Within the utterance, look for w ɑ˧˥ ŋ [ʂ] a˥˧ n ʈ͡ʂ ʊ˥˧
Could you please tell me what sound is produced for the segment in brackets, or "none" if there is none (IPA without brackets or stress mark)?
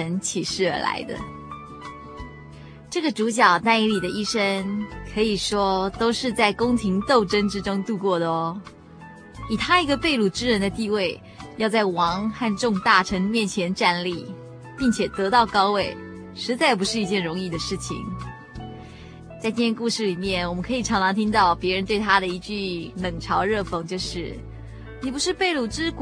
x